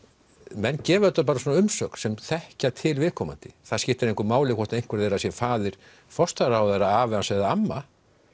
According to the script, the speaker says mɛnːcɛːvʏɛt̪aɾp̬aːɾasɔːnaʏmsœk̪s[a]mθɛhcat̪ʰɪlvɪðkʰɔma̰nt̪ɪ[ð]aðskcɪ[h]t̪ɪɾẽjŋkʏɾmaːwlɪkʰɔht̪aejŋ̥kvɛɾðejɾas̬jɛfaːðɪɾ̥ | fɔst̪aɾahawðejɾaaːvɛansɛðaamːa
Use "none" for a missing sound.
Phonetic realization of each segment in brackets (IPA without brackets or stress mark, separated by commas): ɛ, θ, h